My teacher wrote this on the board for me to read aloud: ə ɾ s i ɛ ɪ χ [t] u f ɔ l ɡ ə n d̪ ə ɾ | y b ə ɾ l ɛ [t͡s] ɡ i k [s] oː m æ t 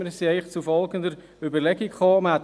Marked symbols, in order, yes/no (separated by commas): no, no, no